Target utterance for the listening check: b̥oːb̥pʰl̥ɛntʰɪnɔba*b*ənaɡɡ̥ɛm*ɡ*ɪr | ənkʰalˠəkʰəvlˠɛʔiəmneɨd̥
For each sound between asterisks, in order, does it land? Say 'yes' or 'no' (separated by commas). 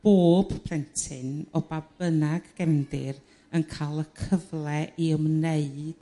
yes, no